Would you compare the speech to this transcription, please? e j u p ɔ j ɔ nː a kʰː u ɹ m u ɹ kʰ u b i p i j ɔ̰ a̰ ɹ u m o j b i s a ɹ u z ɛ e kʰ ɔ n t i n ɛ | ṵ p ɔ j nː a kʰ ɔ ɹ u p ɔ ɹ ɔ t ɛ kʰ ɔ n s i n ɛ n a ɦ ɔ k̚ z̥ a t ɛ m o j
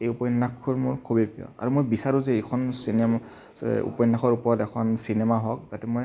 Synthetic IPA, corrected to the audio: e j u p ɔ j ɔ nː a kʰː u ɹ m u ɹ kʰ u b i p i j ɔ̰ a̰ ɹ u m o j b i s a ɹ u z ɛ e kʰ ɔ n s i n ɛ | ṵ p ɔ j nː a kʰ ɔ ɹ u p ɔ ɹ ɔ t ɛ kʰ ɔ n s i n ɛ m a ɦ ɔ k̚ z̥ a t ɛ m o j

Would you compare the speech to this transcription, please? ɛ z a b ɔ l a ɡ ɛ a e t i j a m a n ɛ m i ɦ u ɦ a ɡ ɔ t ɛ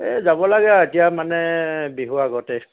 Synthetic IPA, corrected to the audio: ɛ z a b ɔ l a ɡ ɛ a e t i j a m a n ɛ b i ɦ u a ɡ ɔ t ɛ

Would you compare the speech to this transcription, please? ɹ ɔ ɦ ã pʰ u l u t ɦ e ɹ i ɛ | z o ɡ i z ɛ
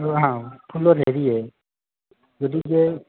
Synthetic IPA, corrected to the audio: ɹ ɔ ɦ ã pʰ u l ɔ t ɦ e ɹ i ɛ | z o d i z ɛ

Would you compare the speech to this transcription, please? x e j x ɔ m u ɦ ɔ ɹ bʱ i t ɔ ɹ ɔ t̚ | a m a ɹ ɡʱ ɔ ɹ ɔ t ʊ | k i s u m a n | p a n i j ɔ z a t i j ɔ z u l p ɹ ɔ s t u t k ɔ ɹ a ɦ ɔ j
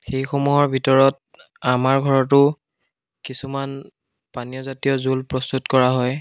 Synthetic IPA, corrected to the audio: x e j x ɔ m u ɦ ɔ ɹ bʱ i t ɔ ɹ ɔ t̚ | a m a ɹ ɡʱ ɔ ɹ ɔ t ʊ | k i s u m a n | p a n i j ɔ z a t i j ɔ z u l p ɹ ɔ s t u t k ɔ ɹ a ɦ ɔ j

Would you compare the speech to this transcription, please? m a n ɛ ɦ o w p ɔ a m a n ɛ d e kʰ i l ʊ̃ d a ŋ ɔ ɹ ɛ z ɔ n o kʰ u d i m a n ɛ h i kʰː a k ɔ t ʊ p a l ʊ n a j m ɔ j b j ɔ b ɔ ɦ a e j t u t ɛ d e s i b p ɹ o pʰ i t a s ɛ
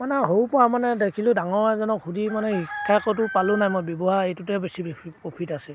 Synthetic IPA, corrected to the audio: m a n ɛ ɦ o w p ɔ a m a n ɛ d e kʰ i l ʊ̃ d a ŋ ɔ ɹ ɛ z ɔ n ɔ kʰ u d i m a n ɛ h i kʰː a k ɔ t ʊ p a l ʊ n a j m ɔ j b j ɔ b ɔ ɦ a e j t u t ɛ b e s i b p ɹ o pʰ i t a s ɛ

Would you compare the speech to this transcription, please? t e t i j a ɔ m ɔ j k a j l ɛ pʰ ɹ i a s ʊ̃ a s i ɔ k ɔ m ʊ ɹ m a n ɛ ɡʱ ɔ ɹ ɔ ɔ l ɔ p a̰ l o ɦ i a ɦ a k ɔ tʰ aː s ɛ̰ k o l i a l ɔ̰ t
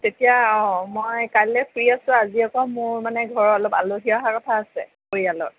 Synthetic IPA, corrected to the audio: t e t i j a ɔ m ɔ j k a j l ɛ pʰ ɹ i a s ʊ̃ a z i ɔ k ɔ m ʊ ɹ m a n ɛ ɡʱ ɔ ɹ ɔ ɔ l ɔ p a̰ l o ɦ i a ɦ a k ɔ tʰ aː s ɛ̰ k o ɹ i a l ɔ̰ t

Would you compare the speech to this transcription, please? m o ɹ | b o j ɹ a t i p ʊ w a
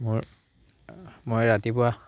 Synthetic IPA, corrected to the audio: m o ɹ | m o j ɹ a t i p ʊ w a

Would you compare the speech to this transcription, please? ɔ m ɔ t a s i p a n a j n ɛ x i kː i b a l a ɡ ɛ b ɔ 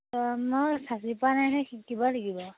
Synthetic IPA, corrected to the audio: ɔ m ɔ s a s i p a n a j n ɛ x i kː i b a l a ɡ i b ɔ

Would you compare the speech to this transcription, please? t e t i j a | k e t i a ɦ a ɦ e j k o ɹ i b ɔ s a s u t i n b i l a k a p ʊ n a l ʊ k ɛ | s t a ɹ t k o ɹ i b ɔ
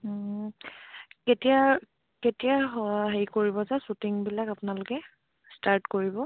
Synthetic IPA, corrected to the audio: k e t i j a | k e t i a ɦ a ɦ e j k o ɹ i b ɔ z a s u t i ŋ b i l a k a p ʊ n a l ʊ k ɛ | s t a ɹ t k o ɹ i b ɔ

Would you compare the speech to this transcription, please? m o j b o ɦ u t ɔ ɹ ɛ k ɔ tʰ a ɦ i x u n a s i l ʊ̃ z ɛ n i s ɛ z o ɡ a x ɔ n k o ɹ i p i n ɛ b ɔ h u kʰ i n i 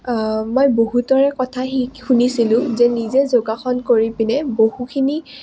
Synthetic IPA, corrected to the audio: m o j b o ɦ u t ɔ ɹ ɛ k ɔ tʰ a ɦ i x u n i s i l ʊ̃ z ɛ n i z ɛ z o ɡ a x ɔ n k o ɹ i p i n ɛ b o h u kʰ i n i

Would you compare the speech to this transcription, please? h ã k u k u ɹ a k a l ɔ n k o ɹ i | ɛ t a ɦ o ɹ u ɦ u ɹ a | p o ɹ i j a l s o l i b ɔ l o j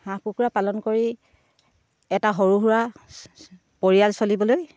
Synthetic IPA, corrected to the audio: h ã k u k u ɹ a p a l ɔ n k o ɹ i | ɛ t a ɦ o ɹ u ɦ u ɹ a | p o ɹ i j a l s o l i b ɔ l o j

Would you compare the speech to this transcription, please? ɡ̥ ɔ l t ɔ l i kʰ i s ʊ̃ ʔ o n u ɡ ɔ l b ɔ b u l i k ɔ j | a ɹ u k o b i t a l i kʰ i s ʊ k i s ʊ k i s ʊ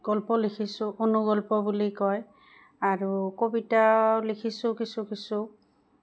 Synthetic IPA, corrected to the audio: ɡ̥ ɔ l p ɔ l i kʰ i s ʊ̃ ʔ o n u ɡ ɔ l p ɔ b u l i k ɔ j | a ɹ u k o b i t a l i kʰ i s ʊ k i s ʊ k i s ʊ

